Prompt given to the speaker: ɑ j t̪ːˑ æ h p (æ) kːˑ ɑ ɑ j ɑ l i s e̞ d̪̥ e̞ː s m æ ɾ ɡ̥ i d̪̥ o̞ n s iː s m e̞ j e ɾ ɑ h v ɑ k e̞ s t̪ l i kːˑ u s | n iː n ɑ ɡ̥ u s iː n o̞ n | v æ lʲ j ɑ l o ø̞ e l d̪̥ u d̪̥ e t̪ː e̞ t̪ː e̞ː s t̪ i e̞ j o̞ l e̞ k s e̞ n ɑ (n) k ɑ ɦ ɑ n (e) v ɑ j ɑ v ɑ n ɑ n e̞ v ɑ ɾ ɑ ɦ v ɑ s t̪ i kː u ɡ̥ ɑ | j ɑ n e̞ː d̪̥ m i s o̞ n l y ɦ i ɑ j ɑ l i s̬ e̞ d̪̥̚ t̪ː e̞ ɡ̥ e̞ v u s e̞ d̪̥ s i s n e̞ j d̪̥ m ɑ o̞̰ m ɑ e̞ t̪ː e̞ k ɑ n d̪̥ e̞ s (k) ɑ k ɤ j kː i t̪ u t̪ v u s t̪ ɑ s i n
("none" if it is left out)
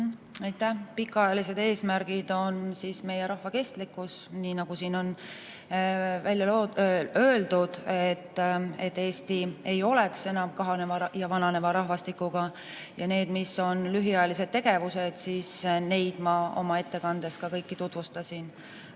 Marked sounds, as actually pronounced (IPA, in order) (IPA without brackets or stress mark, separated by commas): i, m, e, k